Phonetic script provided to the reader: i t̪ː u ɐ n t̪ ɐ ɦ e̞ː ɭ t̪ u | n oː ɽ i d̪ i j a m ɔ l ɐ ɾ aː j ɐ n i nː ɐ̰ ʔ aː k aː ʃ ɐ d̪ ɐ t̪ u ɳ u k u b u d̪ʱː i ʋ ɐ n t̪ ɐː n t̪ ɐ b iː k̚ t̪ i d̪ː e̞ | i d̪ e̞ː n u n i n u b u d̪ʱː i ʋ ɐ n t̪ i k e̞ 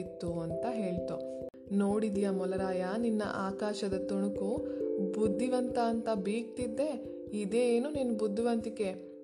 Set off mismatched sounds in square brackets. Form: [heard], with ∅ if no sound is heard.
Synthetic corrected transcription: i t̪ː u ɐ n t̪ ɐ ɦ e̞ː ɭ t̪ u | n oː ɽ i d̪ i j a m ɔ l ɐ ɾ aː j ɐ n i nː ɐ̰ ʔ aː k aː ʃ ɐ d̪ ɐ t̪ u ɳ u k u b u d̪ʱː i ʋ ɐ n t̪ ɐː n t̪ ɐ b iː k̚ t̪ i d̪ː e̞ | i d̪ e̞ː n u n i n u b u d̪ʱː i ʋ ɐ n t̪ i k e̞